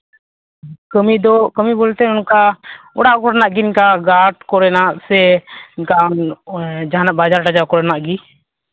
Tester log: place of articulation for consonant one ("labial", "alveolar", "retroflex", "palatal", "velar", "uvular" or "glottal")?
velar